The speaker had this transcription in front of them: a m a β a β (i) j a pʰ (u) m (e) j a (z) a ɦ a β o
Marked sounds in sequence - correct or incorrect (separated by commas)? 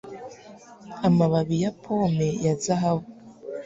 correct, incorrect, correct, correct